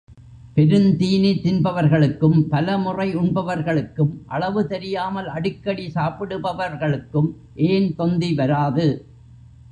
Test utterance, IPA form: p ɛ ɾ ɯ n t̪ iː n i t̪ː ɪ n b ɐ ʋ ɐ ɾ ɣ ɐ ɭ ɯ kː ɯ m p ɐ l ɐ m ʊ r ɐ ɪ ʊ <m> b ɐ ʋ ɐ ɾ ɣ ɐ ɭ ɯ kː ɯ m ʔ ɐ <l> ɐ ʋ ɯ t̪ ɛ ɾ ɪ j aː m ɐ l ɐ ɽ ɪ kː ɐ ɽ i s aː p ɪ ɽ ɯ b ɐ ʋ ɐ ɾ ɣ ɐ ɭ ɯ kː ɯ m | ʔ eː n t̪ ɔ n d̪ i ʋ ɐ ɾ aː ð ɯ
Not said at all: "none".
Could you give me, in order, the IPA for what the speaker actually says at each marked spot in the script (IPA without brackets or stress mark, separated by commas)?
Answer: ɳ, ɭ